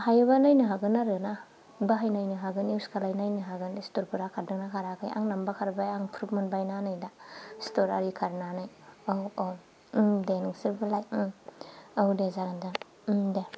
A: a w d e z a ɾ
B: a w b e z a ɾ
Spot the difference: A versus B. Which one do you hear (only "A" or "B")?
A